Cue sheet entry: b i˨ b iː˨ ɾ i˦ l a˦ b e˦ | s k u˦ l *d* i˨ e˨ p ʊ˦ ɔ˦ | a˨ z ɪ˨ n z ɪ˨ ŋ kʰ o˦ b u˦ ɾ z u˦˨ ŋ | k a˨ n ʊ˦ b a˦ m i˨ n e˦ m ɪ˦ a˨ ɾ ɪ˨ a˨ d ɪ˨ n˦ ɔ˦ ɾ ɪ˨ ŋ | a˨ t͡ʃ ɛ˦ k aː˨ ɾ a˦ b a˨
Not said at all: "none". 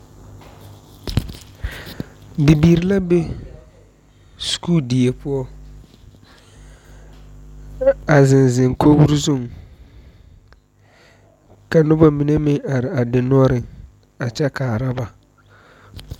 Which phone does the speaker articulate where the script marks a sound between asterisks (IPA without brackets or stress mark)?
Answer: d